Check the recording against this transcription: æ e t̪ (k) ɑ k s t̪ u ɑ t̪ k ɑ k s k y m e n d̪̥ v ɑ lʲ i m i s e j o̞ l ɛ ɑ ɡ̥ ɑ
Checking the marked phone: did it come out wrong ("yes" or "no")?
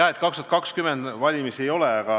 no